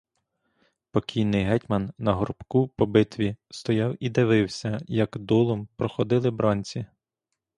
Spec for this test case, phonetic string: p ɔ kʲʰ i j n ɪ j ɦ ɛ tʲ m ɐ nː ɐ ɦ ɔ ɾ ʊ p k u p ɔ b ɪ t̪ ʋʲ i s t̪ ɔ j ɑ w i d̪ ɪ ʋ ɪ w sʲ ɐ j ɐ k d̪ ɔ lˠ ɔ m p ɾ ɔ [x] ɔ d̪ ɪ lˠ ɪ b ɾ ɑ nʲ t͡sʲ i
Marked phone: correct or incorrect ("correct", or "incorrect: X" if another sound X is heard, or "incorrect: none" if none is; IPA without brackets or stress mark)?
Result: correct